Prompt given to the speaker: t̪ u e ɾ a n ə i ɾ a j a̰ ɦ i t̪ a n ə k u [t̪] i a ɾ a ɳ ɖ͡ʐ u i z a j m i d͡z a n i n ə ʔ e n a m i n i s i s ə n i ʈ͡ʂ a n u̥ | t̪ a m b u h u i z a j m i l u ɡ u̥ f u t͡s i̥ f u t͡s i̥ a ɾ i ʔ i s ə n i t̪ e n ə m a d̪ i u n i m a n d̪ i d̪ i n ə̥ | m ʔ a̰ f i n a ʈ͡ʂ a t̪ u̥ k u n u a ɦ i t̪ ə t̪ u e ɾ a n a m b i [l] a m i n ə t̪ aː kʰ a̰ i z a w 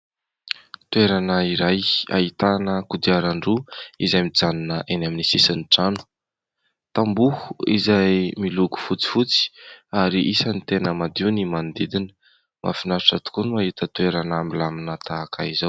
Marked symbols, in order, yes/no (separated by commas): no, yes